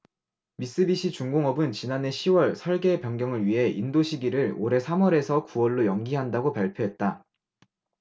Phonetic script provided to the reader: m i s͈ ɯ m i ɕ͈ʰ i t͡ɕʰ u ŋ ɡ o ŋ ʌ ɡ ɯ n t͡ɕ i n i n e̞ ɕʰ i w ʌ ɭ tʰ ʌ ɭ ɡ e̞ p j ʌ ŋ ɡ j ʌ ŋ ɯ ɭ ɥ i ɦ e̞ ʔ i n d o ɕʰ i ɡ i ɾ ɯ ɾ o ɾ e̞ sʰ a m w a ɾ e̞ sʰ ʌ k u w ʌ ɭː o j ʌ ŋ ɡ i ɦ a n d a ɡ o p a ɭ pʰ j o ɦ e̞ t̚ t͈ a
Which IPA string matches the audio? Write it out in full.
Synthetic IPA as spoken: m i s͈ ɯ b i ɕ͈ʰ i t͡ɕ u ŋ ɡ o ŋ ʌ b ɯ n t͡ɕ i n a n e̞ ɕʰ i w ʌ ɭ sʰ ʌ ɭ ɡ e̞ p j ʌ ŋ ɡ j ʌ ŋ ɯ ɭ ɥ i ɦ e̞ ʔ i n d o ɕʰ i ɡ i ɾ ɯ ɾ o ɾ e̞ sʰ a m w ʌ ɾ e̞ sʰ ʌ k u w ʌ ɭː o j ʌ ŋ ɡ i ɦ a n d a ɡ o p a ɭ pʰ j o ɦ e̞ t̚ t͈ a

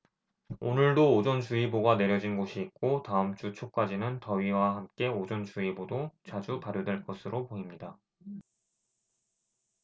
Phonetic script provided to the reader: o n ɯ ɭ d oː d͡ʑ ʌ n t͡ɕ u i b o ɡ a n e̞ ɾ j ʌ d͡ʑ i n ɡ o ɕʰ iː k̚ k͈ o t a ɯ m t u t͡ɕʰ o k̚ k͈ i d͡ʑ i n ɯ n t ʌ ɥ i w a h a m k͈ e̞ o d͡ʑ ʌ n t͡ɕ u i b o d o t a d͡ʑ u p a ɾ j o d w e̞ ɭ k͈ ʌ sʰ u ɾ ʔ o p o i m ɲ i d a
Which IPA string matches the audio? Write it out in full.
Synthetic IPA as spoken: o n ɯ ɭ d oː d͡ʑ ʌ n t͡ɕ u i b o ɡ a n e̞ ɾ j ʌ d͡ʑ i n ɡ o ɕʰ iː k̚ k͈ o t a ɯ m t͡ɕ͈ u t͡ɕʰ o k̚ k͈ a d͡ʑ i n ɯ n t ʌ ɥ i w a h a m k͈ e̞ o d͡ʑ ʌ n t͡ɕ u i b o d o t͡ɕ a d͡ʑ u p a ɾ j o d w e̞ ɭ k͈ ʌ sʰ ɯ ɾ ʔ o p o i m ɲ i d a

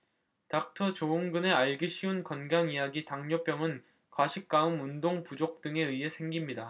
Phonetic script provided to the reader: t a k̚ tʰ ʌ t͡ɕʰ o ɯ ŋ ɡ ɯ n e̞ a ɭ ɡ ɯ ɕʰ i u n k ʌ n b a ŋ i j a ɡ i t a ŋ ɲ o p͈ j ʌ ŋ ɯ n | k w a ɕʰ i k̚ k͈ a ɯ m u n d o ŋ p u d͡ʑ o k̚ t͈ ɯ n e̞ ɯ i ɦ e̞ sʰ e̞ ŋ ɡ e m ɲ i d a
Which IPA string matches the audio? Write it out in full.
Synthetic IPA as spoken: t a k̚ tʰ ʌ t͡ɕ o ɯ ŋ ɡ ɯ n e̞ a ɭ ɡ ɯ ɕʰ i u n k ʌ n ɡ a ŋ i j a ɡ i t a ŋ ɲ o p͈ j ʌ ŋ ɯ n | k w a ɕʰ i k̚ k͈ a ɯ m u n d o ŋ p u d͡ʑ o k̚ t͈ ɯ ŋ e̞ ɯ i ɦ e̞ sʰ e̞ ŋ ɡ i m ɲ i d a

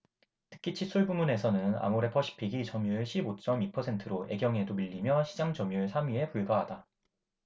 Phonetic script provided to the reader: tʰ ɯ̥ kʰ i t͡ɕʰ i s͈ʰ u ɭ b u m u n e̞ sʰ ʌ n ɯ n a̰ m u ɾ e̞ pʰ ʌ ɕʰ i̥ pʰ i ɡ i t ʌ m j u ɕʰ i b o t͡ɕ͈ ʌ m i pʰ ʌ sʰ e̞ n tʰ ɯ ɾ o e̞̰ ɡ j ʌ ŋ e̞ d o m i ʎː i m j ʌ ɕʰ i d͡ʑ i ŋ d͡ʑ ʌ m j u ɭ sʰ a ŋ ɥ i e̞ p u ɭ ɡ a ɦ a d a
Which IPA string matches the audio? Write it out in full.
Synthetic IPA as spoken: tʰ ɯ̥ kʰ i t͡ɕʰ i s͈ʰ u ɭ b u m u n e̞ sʰ ʌ n ɯ n a̰ m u ɾ e̞ pʰ ʌ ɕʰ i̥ pʰ i ɡ i t͡ɕ ʌ m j u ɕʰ i b o t͡ɕ͈ ʌ m i pʰ ʌ sʰ e̞ n tʰ ɯ ɾ o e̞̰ ɡ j ʌ ŋ e̞ d o m i ʎː i m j ʌ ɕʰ i d͡ʑ a ŋ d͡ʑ ʌ m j u ɭ sʰ a m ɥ i e̞ p u ɭ ɡ a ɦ a d a

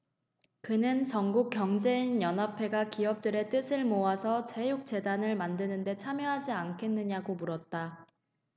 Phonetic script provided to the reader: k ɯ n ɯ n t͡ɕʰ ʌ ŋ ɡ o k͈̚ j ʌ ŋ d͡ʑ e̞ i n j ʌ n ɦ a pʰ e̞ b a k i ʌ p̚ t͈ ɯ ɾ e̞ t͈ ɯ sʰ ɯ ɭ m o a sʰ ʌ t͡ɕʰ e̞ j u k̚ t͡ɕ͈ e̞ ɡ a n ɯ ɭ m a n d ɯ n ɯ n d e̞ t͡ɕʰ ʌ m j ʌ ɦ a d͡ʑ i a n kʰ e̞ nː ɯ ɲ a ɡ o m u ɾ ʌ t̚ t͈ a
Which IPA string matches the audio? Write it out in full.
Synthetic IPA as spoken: k ɯ n ɯ n t͡ɕ ʌ ŋ ɡ u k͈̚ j ʌ ŋ d͡ʑ e̞ i n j ʌ n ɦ a pʰ e̞ ɡ a k i ʌ p̚ t͈ ɯ ɾ e̞ t͈ ɯ sʰ ɯ ɭ m o a sʰ ʌ t͡ɕ e̞ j u k̚ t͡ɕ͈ e̞ d a n ɯ ɭ m a n d ɯ n ɯ n d e̞ t͡ɕʰ a m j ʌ ɦ a d͡ʑ i a n kʰ e̞ nː ɯ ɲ a ɡ o m u ɾ ʌ t̚ t͈ a

